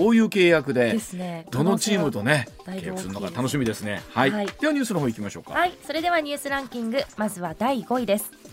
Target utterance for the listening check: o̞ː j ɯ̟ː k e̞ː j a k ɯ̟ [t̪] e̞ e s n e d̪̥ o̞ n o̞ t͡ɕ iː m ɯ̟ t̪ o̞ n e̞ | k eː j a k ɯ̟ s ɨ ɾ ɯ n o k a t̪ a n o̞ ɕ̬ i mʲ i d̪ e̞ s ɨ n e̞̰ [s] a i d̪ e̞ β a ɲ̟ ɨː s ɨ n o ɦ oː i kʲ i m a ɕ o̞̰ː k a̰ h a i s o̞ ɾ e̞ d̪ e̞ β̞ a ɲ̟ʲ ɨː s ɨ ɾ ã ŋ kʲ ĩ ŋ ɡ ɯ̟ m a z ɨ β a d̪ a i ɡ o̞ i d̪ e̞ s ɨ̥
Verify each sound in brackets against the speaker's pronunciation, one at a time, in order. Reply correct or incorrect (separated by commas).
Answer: incorrect, incorrect